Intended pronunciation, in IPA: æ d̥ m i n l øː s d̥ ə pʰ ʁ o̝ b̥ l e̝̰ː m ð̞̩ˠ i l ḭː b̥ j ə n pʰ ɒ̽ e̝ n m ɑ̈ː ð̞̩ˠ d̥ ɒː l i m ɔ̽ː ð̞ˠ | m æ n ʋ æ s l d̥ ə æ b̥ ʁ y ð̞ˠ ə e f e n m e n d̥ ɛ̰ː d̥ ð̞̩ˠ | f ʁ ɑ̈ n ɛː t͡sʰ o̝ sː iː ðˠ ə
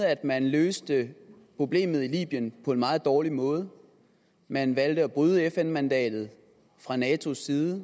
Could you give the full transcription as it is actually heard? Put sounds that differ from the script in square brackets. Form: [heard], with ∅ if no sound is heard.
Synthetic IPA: æ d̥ m [æ] n l øː s d̥ ə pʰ ʁ o̝ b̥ l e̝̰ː m ð̞̩ˠ i l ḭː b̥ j ə n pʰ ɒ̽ e̝ n m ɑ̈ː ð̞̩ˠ d̥ ɒː l i m ɔ̽ː ð̞ˠ | m æ n ʋ æ [∅] l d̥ ə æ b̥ ʁ y ð̞ˠ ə e f e n m [æ] n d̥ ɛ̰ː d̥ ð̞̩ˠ | f ʁ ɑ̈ n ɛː t͡sʰ o̝ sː iː ðˠ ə